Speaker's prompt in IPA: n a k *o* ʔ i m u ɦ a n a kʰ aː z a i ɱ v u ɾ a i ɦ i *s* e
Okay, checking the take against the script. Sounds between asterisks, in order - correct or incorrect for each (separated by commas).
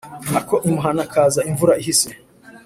correct, correct